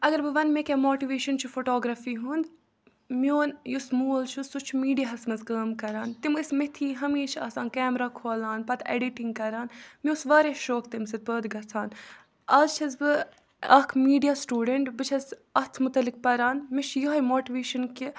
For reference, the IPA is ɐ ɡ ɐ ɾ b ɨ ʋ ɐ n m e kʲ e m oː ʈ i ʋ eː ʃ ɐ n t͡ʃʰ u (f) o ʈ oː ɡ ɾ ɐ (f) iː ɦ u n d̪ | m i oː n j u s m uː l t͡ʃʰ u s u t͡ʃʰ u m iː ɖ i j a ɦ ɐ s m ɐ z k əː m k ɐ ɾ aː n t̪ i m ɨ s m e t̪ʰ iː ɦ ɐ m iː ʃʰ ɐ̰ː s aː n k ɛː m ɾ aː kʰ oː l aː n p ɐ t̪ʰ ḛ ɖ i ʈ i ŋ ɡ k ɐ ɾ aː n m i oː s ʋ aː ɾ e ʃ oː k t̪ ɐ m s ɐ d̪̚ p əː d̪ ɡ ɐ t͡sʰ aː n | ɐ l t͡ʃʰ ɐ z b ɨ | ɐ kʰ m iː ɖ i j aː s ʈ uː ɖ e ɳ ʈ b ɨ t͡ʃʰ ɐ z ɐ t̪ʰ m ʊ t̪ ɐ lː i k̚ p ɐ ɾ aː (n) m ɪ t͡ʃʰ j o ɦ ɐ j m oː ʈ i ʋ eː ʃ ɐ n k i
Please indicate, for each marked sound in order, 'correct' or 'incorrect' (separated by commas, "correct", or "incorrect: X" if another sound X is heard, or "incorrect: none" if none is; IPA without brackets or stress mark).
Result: correct, correct, correct